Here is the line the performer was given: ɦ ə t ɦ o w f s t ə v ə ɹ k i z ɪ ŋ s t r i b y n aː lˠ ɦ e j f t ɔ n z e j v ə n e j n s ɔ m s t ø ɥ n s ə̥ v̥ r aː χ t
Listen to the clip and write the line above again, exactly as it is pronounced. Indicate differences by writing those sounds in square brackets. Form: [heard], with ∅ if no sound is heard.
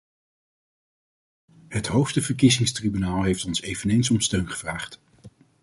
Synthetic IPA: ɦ ə t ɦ o w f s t ə v ə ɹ k i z ɪ ŋ s t r i b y n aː lˠ ɦ e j f t ɔ n [s] e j v ə n e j n s ɔ m s t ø ɥ n [χ] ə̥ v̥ r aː χ t